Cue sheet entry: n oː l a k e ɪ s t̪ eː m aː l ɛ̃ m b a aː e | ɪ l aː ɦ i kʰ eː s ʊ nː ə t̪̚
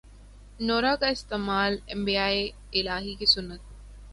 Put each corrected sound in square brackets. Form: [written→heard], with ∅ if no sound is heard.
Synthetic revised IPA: n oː [l→ɾ] a k [e→a] ɪ s t̪ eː m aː l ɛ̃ m b [a→i] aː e | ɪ l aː ɦ i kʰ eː s ʊ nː ə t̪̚